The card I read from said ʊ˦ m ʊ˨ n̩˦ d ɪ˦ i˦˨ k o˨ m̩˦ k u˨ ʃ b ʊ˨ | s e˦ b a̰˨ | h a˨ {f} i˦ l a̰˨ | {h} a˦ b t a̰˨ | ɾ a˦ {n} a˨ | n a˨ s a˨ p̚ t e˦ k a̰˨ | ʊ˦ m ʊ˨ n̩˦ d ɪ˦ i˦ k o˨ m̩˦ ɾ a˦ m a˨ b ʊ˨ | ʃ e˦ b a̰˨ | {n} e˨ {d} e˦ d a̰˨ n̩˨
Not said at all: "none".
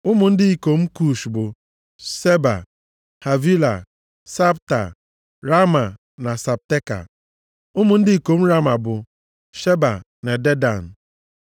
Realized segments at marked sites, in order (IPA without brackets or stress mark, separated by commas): v, s, m, n, d